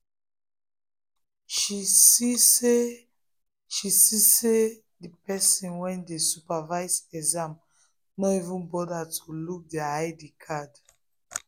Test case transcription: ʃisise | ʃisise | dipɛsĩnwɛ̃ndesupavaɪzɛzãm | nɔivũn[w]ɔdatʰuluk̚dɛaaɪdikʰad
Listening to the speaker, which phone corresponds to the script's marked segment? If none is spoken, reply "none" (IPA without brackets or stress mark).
b